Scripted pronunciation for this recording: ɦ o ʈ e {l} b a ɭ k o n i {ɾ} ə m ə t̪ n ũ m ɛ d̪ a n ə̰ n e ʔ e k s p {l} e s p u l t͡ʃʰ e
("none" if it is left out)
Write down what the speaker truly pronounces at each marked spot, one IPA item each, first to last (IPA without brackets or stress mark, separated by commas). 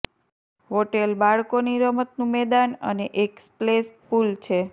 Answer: l, ɾ, l